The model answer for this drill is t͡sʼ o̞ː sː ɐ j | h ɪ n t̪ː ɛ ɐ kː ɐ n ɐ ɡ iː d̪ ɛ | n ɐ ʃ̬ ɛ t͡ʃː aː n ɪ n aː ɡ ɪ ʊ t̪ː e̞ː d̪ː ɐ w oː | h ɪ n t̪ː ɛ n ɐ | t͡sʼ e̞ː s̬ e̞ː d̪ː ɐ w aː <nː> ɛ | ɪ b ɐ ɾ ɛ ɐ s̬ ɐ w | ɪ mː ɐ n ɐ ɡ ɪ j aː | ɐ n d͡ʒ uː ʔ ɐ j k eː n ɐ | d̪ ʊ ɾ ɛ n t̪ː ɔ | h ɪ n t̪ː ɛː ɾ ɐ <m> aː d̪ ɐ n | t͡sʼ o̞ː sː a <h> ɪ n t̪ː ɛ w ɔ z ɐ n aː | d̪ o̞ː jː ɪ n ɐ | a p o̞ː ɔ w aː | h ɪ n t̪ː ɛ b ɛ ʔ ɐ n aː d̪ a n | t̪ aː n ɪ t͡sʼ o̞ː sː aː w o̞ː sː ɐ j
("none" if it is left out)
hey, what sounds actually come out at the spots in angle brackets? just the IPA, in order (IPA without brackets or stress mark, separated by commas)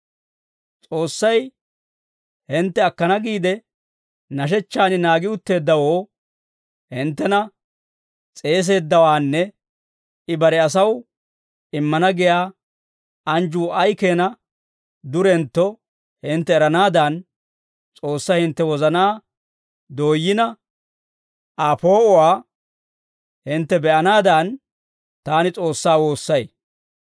nː, n, h